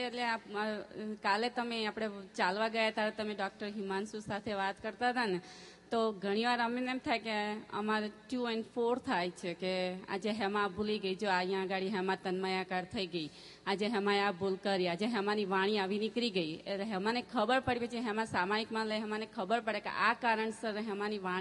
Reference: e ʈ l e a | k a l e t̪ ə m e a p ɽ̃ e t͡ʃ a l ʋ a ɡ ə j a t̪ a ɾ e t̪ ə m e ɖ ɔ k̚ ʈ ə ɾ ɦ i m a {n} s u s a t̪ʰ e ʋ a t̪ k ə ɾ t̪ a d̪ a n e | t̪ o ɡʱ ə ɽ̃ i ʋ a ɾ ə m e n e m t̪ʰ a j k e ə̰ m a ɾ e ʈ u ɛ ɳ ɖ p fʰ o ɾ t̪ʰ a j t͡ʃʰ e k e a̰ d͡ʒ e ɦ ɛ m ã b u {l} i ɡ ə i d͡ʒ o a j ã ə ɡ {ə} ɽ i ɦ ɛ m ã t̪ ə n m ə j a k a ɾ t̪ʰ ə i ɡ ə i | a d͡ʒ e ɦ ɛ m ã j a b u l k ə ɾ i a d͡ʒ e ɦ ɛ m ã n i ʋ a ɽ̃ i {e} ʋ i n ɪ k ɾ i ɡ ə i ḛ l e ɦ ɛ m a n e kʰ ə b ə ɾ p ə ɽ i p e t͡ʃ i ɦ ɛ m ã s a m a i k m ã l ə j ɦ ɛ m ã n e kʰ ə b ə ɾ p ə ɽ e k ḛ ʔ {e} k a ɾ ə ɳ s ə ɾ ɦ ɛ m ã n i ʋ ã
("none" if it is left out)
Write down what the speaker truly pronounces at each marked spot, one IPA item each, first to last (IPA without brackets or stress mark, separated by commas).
n, l, a, a, a